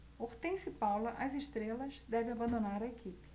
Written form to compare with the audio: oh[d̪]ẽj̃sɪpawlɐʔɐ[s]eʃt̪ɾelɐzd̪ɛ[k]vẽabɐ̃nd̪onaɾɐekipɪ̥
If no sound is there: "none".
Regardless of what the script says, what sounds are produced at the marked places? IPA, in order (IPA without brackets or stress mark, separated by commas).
t̪, z, none